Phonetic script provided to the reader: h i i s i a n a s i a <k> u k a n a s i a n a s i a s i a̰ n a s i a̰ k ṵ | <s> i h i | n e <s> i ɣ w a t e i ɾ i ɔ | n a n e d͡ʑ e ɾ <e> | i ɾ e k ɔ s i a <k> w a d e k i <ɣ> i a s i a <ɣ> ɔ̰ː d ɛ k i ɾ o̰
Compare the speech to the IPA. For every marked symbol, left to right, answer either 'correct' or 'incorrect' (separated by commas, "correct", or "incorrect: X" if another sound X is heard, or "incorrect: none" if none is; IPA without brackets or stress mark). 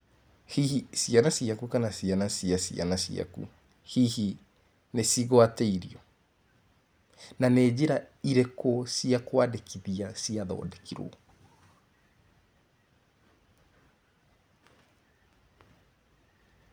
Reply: correct, incorrect: h, correct, incorrect: a, correct, incorrect: ð, incorrect: ð